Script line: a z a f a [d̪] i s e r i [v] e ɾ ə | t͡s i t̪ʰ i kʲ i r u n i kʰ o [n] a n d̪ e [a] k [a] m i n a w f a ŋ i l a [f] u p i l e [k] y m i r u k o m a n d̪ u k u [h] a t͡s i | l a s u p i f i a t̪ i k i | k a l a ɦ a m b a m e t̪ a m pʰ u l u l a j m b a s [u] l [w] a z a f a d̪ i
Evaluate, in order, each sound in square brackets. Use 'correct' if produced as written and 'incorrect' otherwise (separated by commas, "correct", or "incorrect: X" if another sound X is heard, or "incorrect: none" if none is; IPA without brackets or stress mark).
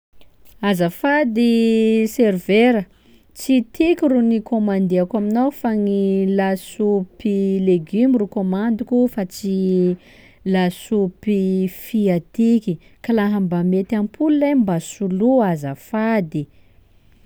correct, correct, incorrect: m, correct, correct, incorrect: s, incorrect: ɡ, incorrect: f, correct, incorrect: u